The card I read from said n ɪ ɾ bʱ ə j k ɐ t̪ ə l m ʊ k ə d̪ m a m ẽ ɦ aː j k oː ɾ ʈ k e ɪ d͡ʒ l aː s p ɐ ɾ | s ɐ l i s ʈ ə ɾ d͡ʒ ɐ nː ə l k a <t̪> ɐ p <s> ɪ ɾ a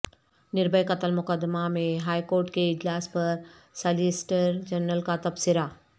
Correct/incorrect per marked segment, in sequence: correct, correct

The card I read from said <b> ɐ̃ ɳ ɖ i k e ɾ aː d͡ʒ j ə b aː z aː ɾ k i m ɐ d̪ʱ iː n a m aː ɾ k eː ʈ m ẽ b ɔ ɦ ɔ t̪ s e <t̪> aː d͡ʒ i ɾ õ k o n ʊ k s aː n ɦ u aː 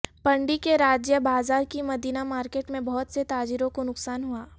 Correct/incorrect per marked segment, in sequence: incorrect, correct

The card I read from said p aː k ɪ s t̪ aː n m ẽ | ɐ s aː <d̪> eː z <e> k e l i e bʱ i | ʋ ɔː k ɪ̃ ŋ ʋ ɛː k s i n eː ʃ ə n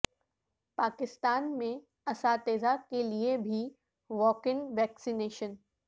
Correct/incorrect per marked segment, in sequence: incorrect, incorrect

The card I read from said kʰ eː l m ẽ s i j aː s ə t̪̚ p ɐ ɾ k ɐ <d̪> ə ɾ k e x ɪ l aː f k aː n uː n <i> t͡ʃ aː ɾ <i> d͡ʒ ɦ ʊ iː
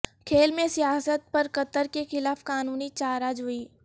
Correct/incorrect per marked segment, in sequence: incorrect, correct, incorrect

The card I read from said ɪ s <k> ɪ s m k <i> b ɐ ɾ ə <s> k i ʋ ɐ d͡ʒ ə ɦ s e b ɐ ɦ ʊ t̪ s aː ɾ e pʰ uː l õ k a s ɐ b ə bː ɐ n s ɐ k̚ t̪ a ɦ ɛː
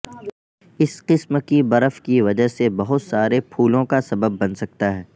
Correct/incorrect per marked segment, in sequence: incorrect, correct, incorrect

